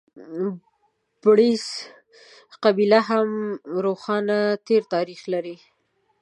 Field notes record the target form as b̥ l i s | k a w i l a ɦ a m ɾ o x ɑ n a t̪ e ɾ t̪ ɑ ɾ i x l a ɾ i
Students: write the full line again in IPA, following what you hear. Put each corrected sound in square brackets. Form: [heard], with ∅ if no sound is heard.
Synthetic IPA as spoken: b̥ [ɽ] i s | [q] a [b] i l a ɦ a m ɾ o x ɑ n a t̪ e ɾ t̪ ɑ ɾ i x l a ɾ i